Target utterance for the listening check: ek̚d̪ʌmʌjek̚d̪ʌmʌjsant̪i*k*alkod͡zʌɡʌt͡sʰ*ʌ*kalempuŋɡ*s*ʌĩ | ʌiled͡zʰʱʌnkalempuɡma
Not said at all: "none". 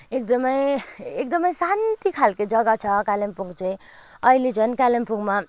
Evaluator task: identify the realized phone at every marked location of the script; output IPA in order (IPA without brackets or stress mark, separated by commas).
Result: kʰ, ʌ, t͡s